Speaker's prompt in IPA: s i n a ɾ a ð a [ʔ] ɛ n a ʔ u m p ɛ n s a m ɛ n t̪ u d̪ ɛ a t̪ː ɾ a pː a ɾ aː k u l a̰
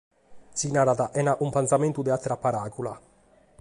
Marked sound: correct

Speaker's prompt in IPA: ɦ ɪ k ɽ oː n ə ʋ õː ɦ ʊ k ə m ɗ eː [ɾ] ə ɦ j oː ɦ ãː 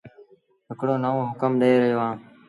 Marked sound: correct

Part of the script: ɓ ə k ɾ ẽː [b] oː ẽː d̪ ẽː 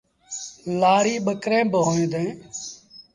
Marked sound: correct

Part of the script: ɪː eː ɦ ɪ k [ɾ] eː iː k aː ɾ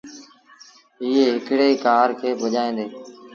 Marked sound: incorrect: ɽ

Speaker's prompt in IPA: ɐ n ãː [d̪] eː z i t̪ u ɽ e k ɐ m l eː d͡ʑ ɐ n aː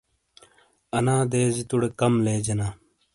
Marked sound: correct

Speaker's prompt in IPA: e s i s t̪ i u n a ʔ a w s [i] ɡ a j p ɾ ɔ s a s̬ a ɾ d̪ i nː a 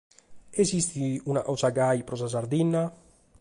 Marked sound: incorrect: a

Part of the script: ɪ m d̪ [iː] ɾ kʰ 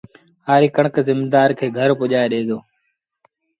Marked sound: incorrect: aː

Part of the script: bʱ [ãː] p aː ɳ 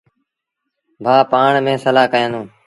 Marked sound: incorrect: aː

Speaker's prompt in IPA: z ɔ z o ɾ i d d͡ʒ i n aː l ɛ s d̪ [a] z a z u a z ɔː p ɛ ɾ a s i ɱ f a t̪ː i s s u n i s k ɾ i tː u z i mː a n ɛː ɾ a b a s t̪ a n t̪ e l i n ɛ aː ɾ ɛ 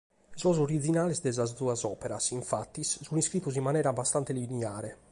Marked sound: incorrect: ɛ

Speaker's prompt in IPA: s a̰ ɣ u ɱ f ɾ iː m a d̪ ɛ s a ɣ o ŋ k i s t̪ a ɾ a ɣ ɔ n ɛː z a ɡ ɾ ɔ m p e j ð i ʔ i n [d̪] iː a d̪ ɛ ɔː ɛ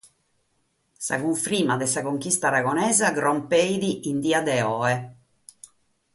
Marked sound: correct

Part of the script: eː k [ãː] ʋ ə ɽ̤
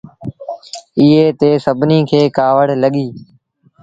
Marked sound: incorrect: aː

